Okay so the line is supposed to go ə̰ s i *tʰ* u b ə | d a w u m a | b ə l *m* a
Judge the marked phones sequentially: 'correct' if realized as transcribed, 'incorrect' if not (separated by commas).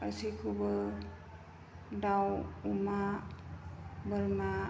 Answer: incorrect, correct